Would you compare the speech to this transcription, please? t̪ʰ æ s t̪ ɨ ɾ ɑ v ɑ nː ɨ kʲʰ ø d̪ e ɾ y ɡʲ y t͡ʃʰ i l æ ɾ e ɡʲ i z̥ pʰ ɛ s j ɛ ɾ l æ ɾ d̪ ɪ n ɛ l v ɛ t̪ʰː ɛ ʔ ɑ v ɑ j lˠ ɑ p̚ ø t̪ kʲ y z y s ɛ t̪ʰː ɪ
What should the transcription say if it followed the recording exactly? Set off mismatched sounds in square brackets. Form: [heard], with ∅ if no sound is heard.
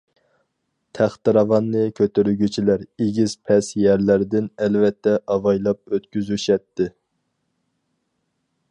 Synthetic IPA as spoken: t̪ʰ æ [χ] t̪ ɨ ɾ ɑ v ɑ nː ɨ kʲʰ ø [t̪] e ɾ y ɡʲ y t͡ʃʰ i l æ ɾ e ɡʲ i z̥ pʰ ɛ s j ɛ ɾ l æ ɾ d̪ ɪ n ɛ l v ɛ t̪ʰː ɛ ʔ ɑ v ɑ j lˠ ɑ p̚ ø t̪ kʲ y z y [ʃ] ɛ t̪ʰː ɪ